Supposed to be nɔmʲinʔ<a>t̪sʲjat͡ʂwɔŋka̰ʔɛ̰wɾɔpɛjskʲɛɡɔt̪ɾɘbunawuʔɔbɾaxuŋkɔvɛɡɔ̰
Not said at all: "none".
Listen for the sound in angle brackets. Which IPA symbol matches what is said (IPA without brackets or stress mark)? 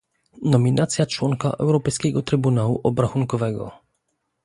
a